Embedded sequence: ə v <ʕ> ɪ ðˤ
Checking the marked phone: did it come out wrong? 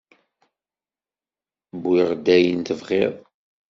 yes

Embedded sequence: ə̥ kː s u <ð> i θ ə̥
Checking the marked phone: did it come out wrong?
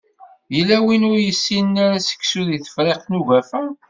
no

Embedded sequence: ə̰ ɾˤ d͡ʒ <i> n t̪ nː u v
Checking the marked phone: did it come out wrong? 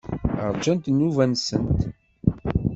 yes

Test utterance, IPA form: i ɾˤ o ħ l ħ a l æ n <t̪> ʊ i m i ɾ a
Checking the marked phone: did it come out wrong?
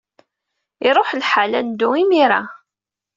yes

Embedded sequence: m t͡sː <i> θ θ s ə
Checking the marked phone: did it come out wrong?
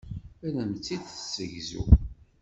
no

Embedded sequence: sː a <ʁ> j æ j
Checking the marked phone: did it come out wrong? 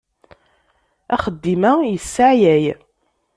yes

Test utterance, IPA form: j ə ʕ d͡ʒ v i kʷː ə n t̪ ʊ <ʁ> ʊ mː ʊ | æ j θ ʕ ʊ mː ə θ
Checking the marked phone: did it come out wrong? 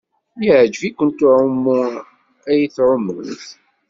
yes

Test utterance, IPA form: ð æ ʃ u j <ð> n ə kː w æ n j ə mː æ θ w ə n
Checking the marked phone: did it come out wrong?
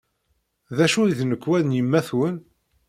no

